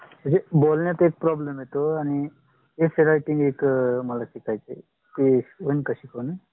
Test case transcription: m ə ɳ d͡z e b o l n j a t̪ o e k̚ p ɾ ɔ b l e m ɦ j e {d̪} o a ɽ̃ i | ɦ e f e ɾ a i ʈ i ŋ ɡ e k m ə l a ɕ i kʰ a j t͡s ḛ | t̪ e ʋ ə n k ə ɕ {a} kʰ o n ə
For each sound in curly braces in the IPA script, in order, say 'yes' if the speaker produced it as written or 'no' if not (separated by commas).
no, no